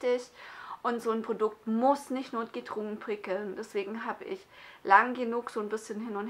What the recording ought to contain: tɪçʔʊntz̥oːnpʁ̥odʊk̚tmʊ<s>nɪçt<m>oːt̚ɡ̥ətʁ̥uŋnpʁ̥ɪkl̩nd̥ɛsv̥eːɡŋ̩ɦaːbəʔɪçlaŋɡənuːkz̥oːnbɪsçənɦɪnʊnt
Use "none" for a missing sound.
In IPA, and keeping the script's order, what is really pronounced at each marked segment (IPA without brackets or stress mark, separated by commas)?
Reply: s, n